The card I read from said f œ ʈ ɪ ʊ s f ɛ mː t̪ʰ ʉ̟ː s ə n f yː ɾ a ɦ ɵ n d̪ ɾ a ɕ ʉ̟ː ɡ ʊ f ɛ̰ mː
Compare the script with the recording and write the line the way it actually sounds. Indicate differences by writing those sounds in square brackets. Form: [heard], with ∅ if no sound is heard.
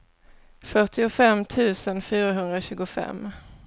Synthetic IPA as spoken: f œ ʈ ɪ ʊ [∅] f ɛ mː t̪ʰ ʉ̟ː s ə n f yː ɾ a ɦ ɵ n d̪ ɾ a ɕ ʉ̟ː ɡ ʊ f ɛ̰ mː